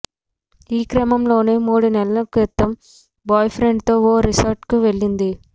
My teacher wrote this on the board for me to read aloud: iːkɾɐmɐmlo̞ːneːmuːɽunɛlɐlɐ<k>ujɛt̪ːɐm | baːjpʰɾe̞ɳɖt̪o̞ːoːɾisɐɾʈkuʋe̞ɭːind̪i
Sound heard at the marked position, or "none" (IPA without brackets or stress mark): k